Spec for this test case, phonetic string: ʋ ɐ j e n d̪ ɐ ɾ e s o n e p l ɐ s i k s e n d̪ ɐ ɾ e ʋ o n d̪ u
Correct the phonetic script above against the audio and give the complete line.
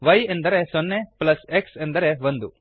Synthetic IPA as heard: ʋ ɐ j e n d̪ ɐ ɾ e s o nː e p l ɐ s e k s e n d̪ ɐ ɾ e ʋ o n d̪ u